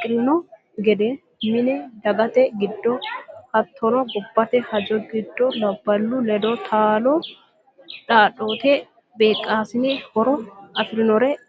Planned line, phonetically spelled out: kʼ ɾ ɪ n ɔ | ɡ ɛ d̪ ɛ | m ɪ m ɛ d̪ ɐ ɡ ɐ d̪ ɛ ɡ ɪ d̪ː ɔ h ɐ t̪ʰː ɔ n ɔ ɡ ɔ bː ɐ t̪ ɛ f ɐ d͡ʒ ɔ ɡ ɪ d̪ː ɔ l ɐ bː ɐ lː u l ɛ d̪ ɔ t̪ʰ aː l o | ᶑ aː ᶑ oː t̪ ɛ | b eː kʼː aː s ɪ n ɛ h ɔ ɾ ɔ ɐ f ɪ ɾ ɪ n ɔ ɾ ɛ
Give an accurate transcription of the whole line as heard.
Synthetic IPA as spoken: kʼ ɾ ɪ n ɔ | ɡ ɛ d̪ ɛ | m ɪ n ɛ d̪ ɐ ɡ ɐ t̪ ɛ ɡ ɪ d̪ː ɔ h ɐ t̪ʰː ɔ n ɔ ɡ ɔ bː ɐ t̪ ɛ h ɐ d͡ʒ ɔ ɡ ɪ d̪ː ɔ l ɐ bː ɐ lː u l ɛ d̪ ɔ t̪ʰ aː l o | ᶑ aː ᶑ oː t̪ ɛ | b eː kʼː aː s ɪ n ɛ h ɔ ɾ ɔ ɐ f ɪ ɾ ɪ n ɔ ɾ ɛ